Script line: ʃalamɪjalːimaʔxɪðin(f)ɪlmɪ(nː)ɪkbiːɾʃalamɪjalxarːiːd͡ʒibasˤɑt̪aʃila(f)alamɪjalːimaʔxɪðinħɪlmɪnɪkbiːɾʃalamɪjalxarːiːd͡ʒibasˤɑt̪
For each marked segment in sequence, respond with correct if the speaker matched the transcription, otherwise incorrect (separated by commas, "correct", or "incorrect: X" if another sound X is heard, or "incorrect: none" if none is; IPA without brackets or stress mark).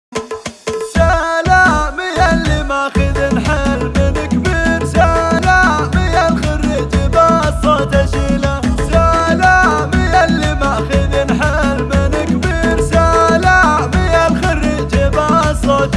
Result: incorrect: ħ, incorrect: n, incorrect: ʃ